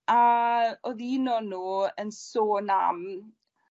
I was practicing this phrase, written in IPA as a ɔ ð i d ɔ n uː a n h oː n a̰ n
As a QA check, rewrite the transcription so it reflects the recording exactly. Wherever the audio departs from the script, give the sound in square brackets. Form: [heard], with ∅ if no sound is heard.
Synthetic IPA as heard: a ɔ ð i [n] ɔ n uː [ə] n [s] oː n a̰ [m]